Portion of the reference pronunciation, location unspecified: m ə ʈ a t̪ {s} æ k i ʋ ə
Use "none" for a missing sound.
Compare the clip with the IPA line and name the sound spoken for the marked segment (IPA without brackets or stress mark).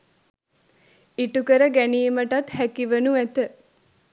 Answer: h